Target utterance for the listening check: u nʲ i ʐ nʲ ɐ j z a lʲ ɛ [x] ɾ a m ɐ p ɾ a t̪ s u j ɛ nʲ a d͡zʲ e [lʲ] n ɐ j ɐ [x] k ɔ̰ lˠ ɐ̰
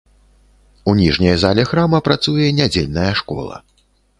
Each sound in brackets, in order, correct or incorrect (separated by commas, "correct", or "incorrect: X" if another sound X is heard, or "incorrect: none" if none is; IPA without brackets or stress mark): correct, correct, incorrect: ʂ